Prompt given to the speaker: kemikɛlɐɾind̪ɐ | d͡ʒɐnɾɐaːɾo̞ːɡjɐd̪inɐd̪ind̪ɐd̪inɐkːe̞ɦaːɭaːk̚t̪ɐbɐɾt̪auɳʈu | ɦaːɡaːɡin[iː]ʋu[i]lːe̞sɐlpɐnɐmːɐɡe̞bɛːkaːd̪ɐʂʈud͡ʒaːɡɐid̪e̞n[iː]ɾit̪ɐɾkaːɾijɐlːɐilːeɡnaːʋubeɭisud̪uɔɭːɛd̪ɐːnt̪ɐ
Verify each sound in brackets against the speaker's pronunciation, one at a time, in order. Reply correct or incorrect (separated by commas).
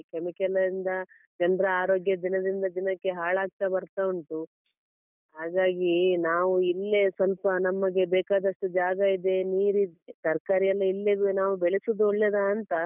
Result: incorrect, correct, correct